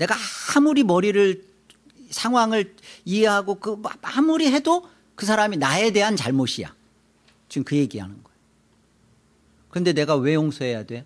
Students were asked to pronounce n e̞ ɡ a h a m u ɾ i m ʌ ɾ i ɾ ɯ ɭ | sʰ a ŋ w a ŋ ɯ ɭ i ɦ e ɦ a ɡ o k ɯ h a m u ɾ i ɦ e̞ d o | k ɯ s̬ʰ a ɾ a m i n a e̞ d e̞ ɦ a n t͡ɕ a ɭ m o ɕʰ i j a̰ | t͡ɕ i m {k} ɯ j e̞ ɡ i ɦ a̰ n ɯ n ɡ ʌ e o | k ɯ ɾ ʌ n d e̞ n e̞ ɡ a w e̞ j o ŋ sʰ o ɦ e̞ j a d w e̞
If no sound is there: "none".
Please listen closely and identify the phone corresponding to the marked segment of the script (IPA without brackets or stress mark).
k